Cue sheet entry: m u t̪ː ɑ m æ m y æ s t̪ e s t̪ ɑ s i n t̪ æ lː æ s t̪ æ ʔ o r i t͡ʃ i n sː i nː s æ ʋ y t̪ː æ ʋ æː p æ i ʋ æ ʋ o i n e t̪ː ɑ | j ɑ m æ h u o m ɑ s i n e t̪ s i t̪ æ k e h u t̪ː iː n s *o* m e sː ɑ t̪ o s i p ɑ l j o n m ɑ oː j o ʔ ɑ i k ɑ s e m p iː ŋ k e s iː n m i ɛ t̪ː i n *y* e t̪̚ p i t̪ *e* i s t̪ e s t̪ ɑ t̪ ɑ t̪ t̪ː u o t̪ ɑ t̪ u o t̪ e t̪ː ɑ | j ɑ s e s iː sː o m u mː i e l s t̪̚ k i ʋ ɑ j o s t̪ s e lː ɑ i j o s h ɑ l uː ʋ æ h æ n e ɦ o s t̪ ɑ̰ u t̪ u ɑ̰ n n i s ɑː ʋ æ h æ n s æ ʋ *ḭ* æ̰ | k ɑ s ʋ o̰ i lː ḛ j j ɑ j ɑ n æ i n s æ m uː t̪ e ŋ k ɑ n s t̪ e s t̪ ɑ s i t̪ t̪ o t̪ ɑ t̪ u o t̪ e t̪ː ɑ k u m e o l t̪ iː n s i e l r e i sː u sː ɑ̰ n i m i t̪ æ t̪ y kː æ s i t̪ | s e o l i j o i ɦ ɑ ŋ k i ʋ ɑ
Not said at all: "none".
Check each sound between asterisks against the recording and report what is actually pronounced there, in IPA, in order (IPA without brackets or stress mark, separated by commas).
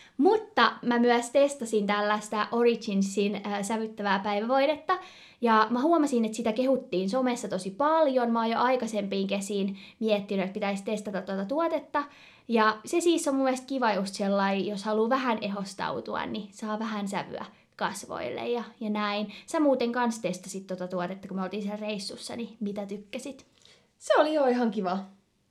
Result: o, y, æ, y̰